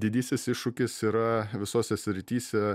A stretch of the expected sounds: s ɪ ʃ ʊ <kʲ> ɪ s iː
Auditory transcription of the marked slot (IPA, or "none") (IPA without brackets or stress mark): kʲ